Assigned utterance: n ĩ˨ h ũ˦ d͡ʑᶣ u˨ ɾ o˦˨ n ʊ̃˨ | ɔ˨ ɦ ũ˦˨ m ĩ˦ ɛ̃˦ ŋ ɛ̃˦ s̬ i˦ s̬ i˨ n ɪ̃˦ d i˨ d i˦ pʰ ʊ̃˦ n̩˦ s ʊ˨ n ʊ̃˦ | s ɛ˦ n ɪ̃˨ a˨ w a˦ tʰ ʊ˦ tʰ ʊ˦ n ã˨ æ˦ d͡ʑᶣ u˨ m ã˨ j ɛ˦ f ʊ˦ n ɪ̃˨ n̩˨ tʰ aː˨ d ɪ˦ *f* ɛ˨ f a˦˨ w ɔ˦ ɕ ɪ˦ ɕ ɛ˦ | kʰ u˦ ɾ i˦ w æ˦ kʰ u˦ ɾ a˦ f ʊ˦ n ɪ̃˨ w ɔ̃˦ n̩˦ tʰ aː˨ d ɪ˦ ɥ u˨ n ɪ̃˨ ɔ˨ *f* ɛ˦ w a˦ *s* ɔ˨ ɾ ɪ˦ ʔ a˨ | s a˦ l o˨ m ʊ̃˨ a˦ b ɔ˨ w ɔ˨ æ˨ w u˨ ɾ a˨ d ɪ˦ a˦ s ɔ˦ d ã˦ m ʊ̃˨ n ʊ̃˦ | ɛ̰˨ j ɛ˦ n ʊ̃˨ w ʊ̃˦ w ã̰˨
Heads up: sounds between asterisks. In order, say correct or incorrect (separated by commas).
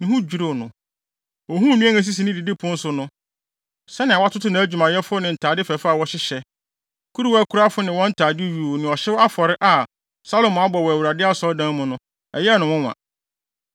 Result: correct, incorrect, incorrect